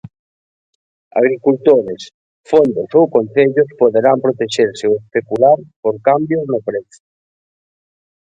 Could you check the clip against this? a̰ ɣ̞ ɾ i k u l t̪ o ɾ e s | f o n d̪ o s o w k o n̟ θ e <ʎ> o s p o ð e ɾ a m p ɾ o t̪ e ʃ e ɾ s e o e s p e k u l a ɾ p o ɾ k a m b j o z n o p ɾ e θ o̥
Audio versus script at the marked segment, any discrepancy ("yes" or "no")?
no